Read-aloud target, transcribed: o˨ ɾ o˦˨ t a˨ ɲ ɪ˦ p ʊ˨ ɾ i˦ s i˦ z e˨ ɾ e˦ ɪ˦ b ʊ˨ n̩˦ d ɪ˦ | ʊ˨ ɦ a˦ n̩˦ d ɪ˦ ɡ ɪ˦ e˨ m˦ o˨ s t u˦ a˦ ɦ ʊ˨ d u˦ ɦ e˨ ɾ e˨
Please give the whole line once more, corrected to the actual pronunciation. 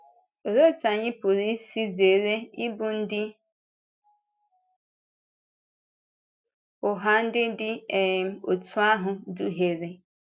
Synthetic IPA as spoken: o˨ ɾ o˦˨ t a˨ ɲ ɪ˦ p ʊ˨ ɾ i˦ s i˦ z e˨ ɾ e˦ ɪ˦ b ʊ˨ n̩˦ d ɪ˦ | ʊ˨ ɦ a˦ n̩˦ d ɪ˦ d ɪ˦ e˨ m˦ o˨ t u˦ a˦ ɦ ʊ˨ d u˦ ɦ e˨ ɾ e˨